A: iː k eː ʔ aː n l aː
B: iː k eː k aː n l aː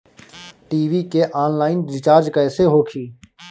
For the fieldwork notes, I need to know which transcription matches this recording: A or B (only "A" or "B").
A